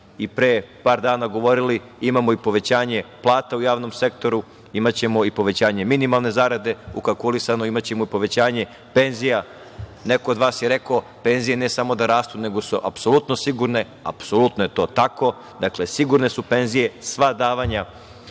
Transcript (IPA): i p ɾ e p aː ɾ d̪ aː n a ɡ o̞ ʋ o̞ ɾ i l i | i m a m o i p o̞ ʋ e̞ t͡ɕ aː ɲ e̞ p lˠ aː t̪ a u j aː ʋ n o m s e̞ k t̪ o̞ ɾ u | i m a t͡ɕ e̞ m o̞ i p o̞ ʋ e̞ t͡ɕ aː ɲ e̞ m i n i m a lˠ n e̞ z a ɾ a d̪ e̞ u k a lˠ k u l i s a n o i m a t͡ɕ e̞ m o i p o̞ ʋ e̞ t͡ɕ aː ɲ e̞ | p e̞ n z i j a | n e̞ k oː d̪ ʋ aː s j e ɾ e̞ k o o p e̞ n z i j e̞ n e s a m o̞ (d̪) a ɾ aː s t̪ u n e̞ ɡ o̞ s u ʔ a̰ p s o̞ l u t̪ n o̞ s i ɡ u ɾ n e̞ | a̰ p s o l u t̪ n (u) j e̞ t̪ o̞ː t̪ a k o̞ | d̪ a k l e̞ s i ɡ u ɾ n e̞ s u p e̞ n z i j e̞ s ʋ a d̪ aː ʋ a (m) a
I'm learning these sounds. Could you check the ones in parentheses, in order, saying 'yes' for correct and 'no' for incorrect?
yes, no, no

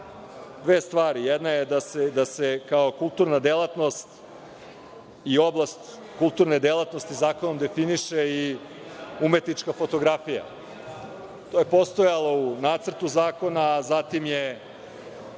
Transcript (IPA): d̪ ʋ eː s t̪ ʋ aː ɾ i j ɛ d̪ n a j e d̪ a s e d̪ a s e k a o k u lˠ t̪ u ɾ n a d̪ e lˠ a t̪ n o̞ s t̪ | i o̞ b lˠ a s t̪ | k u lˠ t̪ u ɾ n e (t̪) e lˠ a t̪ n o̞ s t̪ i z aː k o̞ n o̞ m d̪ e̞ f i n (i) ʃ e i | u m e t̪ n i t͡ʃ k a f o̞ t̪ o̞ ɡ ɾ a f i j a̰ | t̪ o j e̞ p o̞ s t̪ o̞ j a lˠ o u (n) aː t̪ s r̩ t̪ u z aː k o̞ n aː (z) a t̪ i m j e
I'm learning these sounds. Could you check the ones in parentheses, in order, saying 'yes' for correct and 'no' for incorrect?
no, yes, yes, yes

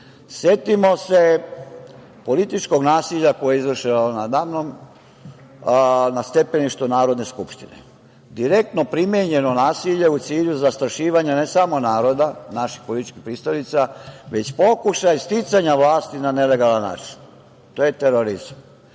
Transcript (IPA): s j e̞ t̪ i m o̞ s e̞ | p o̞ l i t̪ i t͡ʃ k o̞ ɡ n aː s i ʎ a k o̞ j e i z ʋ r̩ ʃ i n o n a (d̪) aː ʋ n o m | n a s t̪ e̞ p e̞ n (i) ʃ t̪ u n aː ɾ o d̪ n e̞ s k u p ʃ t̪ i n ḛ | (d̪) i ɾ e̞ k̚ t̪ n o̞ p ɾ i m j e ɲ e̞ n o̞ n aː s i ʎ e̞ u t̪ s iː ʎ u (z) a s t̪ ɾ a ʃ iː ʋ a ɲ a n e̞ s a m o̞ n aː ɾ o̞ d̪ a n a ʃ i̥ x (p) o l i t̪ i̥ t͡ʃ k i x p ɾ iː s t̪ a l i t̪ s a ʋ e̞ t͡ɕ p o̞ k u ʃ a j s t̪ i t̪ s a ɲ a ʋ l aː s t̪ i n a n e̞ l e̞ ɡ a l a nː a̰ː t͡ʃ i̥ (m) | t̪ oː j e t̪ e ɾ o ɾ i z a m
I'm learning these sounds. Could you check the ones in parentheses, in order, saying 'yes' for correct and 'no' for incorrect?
yes, yes, yes, yes, yes, no

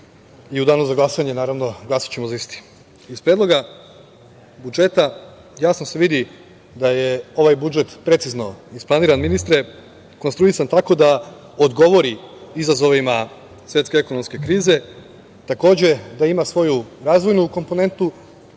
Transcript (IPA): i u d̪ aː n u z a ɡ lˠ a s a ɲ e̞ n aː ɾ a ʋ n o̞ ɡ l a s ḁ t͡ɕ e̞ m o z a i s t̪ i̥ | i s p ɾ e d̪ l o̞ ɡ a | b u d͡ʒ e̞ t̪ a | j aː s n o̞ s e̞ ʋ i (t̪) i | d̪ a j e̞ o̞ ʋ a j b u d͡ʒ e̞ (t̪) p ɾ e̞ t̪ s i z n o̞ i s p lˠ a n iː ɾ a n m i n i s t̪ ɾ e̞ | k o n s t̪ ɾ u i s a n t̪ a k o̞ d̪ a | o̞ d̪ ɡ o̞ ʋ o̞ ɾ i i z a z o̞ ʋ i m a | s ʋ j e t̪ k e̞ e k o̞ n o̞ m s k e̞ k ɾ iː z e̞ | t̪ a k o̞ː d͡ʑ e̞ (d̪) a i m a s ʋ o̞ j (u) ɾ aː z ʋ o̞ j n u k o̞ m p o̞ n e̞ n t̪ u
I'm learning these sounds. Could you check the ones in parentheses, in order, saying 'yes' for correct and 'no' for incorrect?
no, yes, yes, yes

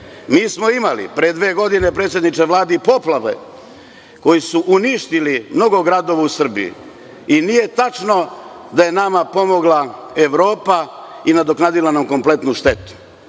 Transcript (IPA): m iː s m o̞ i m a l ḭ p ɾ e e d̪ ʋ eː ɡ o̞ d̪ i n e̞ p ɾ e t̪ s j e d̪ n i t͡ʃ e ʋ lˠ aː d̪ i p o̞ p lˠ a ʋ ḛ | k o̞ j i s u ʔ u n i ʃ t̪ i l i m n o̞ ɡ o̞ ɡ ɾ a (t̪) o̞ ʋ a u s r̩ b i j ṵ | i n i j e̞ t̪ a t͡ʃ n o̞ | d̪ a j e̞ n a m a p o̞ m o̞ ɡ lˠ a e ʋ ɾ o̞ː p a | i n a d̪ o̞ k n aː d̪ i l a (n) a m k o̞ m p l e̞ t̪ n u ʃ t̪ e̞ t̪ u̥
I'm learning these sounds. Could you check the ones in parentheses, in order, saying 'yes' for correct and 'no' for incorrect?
no, yes

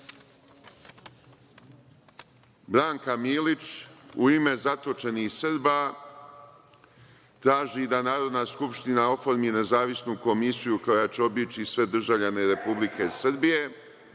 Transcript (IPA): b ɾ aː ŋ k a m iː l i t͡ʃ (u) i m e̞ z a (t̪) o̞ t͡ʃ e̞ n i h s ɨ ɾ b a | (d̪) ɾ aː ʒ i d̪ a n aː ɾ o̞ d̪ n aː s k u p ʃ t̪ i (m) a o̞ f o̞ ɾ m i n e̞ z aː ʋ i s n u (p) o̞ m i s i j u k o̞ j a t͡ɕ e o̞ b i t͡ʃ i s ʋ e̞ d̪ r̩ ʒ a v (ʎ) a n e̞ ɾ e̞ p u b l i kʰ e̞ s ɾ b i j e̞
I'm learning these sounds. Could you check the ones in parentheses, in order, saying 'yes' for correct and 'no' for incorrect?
yes, yes, no, no, no, yes

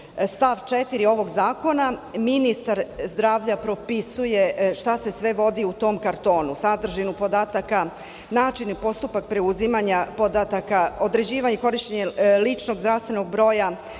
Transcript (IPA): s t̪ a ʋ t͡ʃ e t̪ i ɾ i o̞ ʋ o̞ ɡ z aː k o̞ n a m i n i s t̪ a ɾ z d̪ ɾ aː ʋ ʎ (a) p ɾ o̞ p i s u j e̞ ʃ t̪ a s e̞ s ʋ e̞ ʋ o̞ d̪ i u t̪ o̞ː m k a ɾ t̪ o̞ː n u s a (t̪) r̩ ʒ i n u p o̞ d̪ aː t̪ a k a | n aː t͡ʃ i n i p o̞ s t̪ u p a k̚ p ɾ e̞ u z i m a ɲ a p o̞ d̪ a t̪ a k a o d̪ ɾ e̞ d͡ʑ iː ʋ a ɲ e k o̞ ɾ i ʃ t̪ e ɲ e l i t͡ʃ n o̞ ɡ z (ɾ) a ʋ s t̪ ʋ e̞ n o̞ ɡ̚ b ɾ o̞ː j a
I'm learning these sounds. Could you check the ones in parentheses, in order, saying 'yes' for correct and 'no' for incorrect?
yes, no, yes

